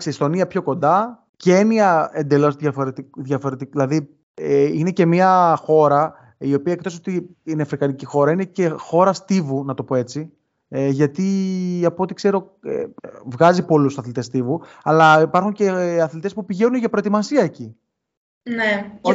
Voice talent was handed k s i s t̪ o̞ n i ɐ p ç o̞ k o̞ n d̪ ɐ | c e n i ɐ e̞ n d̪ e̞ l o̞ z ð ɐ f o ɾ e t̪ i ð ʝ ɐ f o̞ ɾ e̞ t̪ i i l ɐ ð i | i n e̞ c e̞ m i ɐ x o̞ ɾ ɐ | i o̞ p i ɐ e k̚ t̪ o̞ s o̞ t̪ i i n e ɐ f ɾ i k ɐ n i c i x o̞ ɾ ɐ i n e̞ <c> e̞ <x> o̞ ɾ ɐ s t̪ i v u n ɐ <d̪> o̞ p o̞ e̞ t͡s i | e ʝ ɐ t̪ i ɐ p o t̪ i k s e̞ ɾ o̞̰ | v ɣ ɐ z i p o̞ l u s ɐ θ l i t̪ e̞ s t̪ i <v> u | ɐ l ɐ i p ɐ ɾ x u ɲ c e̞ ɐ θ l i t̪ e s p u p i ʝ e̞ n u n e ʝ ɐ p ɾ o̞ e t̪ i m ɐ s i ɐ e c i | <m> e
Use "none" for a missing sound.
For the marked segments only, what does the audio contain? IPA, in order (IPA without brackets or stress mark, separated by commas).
c, x, t̪, v, n